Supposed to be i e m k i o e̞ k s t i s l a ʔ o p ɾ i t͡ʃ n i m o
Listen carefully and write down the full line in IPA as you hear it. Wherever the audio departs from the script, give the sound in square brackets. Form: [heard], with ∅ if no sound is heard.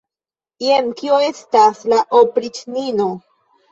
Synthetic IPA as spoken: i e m k i o e̞ [∅] s t [a] s l a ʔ o p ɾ i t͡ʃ n i [n] o